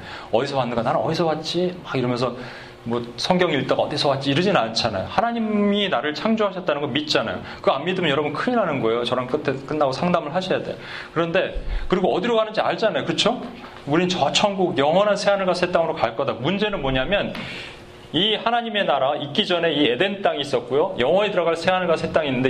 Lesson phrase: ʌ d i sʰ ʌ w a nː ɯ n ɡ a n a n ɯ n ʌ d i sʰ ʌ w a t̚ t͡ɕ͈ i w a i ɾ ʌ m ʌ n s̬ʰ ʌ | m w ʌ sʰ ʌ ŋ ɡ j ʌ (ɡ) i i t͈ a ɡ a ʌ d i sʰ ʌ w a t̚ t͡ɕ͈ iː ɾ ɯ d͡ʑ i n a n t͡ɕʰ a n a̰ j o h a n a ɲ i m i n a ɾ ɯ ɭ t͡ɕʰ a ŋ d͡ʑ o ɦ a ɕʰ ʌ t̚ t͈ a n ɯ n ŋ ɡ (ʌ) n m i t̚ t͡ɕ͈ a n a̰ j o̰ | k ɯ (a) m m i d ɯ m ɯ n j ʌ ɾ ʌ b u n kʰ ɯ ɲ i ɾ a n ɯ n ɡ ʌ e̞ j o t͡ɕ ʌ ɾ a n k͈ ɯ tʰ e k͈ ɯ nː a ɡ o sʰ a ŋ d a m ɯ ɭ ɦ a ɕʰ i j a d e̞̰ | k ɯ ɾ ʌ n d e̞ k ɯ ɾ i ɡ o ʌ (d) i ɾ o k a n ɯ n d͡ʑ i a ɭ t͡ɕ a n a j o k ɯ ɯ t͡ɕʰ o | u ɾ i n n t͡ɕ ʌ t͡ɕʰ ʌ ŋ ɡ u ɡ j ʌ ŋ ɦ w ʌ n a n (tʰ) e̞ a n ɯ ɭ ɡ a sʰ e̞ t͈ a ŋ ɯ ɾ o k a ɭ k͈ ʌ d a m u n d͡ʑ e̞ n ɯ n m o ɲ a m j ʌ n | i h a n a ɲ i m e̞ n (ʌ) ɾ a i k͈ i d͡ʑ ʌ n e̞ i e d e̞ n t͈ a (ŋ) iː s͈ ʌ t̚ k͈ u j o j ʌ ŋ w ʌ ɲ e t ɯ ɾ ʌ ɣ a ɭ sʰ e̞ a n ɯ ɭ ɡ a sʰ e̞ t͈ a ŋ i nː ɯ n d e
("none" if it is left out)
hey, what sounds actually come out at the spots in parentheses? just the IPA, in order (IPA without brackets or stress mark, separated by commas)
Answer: ŋ, ʌ, a, d, sʰ, a, ŋ